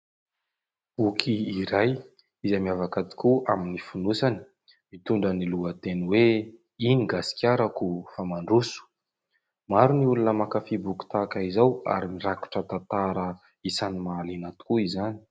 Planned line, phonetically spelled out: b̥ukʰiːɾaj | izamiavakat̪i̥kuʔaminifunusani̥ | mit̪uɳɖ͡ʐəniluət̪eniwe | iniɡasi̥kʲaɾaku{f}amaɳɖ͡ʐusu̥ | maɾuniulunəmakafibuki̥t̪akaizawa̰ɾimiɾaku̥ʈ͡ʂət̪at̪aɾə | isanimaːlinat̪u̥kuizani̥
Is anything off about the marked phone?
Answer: no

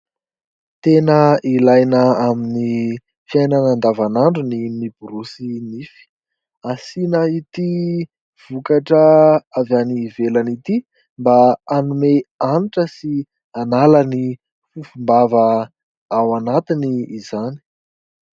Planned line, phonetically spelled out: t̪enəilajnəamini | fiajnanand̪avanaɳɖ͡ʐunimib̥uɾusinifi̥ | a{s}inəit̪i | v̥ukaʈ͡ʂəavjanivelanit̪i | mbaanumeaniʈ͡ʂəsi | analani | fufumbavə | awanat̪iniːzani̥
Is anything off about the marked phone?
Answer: no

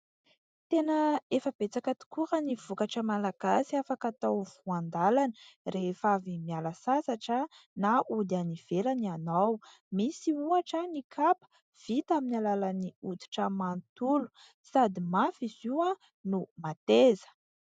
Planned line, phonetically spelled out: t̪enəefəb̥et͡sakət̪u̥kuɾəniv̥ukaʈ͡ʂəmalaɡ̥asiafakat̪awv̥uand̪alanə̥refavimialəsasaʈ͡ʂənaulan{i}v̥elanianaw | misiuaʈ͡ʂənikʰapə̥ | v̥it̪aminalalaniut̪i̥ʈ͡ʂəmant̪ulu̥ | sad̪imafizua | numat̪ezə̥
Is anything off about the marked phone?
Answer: no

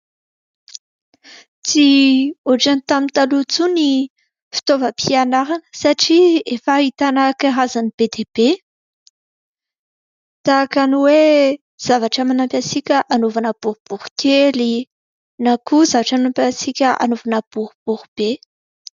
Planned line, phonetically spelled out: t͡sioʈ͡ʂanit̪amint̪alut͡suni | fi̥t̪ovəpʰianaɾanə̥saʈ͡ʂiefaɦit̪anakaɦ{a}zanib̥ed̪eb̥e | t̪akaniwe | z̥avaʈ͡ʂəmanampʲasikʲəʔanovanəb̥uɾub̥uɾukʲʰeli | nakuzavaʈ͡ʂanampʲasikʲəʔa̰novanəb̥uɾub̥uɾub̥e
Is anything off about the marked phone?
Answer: no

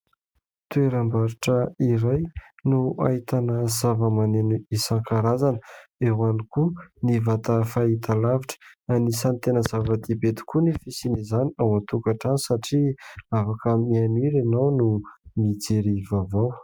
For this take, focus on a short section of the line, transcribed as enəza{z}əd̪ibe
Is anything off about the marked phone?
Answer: yes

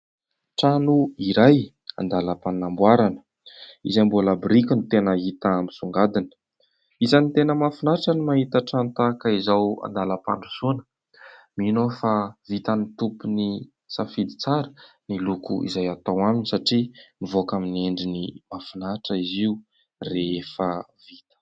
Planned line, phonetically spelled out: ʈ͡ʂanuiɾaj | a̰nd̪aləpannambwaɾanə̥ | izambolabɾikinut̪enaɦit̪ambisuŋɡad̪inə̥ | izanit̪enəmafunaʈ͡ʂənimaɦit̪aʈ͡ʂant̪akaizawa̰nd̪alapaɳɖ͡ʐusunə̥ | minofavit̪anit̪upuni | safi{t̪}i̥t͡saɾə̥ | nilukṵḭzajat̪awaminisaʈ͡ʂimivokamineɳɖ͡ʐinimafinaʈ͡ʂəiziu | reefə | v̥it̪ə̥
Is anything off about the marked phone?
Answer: yes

